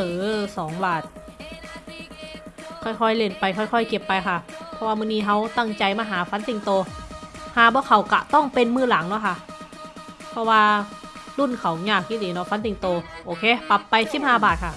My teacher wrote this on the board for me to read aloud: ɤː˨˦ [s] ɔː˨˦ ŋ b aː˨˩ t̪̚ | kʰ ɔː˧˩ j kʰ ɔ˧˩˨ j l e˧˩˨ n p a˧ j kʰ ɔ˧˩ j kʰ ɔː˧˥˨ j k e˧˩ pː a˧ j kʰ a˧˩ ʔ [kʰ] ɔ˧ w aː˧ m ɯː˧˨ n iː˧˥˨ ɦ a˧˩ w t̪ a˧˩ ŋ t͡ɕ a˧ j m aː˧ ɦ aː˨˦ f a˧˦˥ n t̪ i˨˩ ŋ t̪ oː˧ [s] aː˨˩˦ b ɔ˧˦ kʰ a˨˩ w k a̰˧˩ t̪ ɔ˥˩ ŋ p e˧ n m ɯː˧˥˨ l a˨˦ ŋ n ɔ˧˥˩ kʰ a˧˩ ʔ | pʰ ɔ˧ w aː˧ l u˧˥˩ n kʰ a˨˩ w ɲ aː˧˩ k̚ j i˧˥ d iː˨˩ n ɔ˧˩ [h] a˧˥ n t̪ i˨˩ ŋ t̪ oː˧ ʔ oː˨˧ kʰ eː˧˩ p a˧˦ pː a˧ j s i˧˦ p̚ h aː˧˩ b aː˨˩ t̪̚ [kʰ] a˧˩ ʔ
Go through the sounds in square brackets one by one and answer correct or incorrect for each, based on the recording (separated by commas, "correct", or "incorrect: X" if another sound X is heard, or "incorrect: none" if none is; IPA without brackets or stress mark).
correct, incorrect: pʰ, incorrect: h, incorrect: f, correct